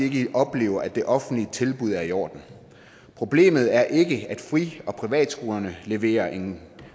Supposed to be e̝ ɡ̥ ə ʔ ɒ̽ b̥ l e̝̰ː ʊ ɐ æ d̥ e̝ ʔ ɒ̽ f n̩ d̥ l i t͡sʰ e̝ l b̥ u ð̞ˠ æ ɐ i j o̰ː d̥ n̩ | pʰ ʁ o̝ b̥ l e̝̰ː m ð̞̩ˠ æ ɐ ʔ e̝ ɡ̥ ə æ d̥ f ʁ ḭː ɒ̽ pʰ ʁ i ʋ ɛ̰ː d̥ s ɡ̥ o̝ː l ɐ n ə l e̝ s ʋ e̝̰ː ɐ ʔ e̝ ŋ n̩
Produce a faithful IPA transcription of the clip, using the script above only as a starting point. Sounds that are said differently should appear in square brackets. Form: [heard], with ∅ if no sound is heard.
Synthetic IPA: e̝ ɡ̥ ə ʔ ɒ̽ b̥ l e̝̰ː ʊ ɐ æ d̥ e̝ ʔ ɒ̽ f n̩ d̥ l i t͡sʰ e̝ l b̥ u ð̞ˠ æ ɐ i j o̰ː d̥ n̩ | pʰ ʁ o̝ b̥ l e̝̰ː m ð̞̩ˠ æ ɐ ʔ e̝ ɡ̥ ə æ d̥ f ʁ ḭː ɒ̽ pʰ ʁ i ʋ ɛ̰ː d̥ s ɡ̥ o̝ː l ɐ n ə l e̝ [∅] ʋ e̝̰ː ɐ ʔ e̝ ŋ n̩